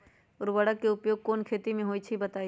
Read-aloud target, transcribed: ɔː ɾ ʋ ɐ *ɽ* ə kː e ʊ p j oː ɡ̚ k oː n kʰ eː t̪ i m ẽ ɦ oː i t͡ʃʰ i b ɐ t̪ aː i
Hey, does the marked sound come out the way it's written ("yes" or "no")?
yes